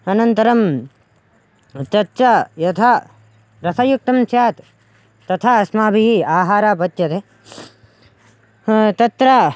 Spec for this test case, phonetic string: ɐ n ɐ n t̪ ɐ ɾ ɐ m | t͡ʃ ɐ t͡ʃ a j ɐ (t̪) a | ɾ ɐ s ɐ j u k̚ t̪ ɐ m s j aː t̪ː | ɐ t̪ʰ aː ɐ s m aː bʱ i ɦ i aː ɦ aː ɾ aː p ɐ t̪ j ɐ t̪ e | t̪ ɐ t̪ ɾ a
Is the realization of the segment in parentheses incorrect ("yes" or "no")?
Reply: yes